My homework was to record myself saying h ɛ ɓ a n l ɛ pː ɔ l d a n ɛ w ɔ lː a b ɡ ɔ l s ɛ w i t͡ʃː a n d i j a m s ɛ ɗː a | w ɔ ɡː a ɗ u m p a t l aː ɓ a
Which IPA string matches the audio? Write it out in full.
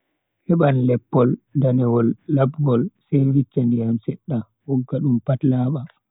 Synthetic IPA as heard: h ɛ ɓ a n l ɛ pː ɔ l d a n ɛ w ɔ lː a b ɡ ɔ l s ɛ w i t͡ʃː a n d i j a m s ɛ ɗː a | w ɔ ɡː a ɗ u m p a t l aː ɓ a